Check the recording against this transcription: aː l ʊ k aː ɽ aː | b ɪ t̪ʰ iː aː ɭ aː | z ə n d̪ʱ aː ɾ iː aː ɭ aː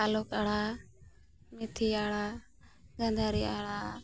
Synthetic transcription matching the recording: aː l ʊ k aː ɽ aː | m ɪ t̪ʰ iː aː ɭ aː | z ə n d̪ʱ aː ɾ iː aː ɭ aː